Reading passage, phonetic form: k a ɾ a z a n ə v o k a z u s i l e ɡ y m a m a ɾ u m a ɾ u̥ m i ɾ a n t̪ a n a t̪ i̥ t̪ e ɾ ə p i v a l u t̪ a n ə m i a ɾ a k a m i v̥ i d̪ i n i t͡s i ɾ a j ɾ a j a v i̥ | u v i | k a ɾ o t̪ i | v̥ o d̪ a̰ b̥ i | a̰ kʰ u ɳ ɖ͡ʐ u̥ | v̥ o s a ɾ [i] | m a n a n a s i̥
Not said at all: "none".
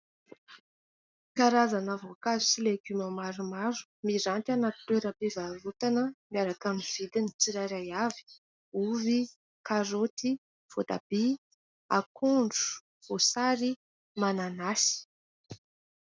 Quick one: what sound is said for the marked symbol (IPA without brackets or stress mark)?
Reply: i